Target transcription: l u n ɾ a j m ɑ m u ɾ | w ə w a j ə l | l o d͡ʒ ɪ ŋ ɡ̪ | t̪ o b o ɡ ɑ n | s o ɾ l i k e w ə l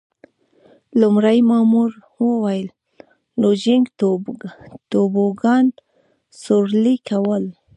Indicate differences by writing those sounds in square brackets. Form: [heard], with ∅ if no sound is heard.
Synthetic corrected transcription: l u [m] ɾ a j m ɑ m u ɾ | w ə w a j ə l | l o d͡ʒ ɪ ŋ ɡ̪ | t̪ o b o ɡ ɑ n | s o ɾ l i k [a] w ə l